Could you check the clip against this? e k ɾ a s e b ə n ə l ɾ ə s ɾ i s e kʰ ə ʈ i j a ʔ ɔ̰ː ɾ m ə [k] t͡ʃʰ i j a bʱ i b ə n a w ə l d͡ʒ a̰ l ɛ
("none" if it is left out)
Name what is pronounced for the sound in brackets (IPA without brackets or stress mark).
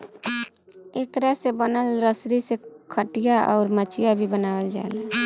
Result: none